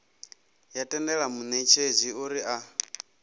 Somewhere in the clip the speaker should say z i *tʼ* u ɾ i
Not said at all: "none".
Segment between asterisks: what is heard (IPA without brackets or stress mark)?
none